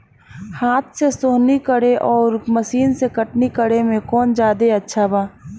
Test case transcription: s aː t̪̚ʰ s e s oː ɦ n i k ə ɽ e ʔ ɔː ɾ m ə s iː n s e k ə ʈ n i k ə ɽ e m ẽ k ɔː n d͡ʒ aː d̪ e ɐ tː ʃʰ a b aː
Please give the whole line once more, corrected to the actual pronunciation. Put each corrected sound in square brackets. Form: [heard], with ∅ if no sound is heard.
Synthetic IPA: [h] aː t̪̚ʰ s e s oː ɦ n i k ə ɽ e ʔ ɔː ɾ m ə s iː n s e k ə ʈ n i k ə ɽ e m ẽ k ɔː n d͡ʒ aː d̪ e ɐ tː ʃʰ a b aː